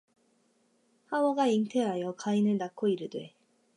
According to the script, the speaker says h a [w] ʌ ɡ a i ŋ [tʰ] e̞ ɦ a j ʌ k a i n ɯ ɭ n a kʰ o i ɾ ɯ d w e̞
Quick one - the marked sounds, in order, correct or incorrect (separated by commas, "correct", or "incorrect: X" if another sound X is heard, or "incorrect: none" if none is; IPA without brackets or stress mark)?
correct, correct